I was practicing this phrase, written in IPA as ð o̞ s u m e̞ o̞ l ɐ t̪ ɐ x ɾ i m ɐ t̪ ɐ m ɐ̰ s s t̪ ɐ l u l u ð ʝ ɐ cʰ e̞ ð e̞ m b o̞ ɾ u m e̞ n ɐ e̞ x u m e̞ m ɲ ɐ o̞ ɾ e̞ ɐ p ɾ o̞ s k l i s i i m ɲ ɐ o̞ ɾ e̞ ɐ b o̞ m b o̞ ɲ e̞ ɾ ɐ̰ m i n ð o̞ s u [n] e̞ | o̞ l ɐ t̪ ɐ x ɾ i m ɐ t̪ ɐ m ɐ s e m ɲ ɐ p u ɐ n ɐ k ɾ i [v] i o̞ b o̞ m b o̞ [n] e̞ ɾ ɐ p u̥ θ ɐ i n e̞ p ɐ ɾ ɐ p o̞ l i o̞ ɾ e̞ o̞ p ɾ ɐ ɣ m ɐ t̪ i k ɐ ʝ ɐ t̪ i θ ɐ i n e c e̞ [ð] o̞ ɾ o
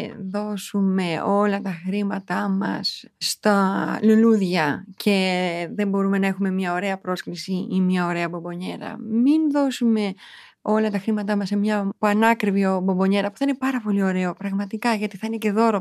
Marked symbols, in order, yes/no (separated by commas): no, yes, no, yes